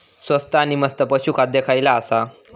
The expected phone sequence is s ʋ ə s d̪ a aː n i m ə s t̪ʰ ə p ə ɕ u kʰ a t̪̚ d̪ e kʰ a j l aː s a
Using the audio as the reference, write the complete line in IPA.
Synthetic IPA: s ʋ ə s t̪ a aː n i m ə s t̪ ə p ə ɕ u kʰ a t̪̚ d̪ e kʰ a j l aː s a